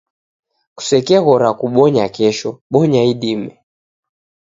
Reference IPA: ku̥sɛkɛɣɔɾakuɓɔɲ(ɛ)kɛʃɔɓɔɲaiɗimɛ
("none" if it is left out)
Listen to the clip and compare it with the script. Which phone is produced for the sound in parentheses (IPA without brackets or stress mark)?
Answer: a